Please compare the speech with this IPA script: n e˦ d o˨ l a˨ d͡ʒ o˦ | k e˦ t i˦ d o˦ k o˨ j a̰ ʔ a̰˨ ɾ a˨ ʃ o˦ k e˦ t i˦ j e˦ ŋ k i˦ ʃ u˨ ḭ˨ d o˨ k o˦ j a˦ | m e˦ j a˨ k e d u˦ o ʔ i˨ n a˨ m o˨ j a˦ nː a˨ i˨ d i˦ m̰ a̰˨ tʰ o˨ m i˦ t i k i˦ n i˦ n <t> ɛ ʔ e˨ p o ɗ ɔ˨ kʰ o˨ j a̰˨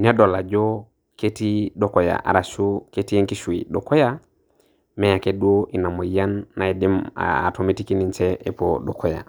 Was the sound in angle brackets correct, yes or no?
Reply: no